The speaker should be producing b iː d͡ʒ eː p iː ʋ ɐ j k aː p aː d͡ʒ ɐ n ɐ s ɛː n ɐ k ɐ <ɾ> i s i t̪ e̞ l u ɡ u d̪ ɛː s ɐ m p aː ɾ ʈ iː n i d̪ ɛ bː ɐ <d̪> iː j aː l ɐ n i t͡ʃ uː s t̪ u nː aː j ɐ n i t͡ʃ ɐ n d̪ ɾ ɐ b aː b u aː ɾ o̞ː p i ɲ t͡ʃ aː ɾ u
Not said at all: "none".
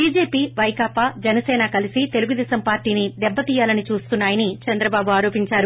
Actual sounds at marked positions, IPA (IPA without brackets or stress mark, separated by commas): l, t̪